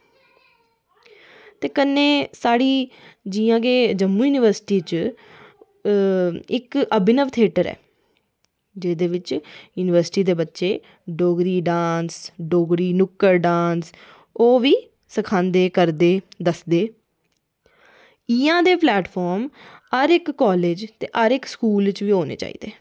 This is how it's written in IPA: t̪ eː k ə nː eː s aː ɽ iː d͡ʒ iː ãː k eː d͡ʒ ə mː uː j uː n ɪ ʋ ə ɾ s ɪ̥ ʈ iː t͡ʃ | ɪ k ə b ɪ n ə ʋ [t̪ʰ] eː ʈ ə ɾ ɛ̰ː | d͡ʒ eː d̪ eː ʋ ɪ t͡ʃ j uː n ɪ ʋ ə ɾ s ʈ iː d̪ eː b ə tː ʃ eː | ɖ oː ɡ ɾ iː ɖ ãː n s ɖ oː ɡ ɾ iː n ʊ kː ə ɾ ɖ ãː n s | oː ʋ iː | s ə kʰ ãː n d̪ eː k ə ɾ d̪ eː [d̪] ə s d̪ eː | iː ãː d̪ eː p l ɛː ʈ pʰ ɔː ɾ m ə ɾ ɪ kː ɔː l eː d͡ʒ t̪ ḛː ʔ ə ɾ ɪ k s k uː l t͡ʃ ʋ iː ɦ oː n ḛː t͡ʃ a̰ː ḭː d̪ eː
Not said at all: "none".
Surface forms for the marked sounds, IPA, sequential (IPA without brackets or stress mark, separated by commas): t̪ʰ, d̪